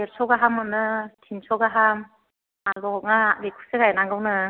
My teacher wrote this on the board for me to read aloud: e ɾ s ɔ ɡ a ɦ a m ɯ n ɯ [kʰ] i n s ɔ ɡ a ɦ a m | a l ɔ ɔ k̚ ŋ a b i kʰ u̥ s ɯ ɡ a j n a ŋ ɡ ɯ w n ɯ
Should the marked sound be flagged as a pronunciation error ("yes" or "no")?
yes